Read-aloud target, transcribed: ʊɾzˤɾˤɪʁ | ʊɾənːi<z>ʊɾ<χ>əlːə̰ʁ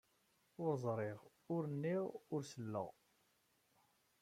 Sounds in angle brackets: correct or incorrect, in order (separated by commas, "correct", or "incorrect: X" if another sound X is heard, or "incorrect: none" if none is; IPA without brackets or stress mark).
incorrect: ʁ, incorrect: s